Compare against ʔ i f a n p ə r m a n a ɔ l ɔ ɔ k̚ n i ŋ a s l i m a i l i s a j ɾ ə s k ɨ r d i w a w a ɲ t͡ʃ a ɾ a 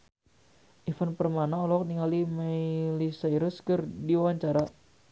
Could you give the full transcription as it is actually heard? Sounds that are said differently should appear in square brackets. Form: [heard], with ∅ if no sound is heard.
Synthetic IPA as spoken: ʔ i f a n p ə r m a n a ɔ l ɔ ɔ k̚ n i ŋ a [∅] l i m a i l i s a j ɾ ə s k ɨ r d i w a w a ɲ t͡ʃ a ɾ a